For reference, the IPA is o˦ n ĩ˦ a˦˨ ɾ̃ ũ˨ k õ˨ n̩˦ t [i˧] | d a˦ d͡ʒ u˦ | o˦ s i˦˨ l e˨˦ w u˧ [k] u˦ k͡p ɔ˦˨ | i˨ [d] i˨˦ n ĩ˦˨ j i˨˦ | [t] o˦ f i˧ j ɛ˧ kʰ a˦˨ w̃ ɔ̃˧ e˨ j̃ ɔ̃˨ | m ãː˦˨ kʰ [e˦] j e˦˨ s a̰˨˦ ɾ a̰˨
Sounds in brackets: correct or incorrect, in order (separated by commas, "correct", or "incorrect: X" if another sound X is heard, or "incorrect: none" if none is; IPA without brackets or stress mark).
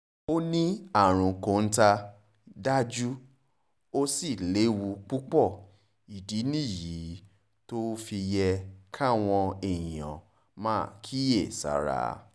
incorrect: a˧, incorrect: k͡p, correct, correct, incorrect: i˦